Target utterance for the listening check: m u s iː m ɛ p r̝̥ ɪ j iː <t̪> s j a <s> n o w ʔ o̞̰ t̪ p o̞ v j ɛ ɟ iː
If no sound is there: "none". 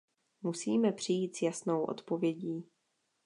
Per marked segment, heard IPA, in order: t̪, s

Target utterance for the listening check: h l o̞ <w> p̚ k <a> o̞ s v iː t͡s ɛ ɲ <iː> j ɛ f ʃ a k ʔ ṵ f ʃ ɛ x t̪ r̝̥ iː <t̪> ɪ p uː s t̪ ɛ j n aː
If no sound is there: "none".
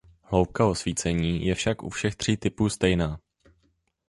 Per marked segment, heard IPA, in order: w, a, iː, t̪

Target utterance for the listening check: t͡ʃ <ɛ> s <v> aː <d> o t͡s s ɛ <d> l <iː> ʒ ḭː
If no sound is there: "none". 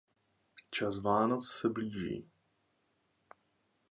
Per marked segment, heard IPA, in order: a, v, n, b, iː

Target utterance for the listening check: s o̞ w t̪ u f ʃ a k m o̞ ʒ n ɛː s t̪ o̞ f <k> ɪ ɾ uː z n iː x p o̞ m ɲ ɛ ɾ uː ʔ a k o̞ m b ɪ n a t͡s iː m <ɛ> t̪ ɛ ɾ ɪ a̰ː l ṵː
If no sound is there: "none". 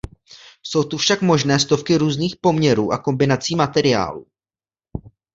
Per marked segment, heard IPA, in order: k, a

